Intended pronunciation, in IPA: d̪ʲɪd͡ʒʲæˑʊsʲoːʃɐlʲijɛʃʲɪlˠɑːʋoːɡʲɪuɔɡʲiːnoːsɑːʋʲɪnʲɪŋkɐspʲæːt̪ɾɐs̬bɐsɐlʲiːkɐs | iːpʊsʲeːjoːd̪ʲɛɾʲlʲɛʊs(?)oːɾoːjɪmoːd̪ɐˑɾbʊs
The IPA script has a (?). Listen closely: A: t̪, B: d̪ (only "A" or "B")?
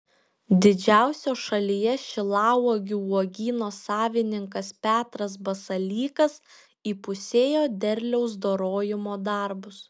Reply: B